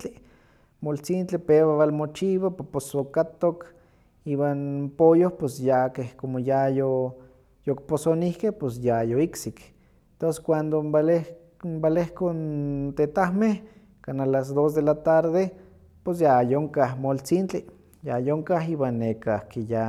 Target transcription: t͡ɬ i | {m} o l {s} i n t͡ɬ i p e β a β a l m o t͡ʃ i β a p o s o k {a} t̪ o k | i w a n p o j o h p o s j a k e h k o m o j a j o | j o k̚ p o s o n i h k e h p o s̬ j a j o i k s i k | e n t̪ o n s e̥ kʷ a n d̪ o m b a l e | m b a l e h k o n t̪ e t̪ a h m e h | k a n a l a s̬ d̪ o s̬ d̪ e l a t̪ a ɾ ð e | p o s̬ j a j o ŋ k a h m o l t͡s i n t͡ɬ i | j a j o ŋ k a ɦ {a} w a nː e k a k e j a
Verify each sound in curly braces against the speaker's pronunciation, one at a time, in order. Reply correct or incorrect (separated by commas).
correct, incorrect, correct, incorrect